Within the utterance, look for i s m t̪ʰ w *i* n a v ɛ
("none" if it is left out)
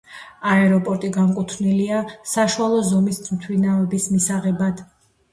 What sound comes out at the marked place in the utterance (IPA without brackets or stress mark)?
i